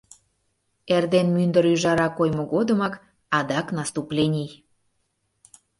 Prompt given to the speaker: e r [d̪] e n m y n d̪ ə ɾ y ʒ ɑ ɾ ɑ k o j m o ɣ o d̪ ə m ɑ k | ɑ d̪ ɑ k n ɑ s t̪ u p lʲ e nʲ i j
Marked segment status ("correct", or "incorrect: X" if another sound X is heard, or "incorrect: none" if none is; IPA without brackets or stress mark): correct